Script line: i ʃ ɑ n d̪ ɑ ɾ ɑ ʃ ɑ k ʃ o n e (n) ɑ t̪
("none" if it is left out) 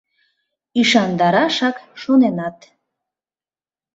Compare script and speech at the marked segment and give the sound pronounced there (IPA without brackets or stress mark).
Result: n